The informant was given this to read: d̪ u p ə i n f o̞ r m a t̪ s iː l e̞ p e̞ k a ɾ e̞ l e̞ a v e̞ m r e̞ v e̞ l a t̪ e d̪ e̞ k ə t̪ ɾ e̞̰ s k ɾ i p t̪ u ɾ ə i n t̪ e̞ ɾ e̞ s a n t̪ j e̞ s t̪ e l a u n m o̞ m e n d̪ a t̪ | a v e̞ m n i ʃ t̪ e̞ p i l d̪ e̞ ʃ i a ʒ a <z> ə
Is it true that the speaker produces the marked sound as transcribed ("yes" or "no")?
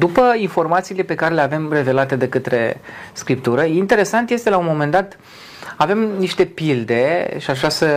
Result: no